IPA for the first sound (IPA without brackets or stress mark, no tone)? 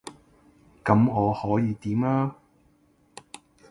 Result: k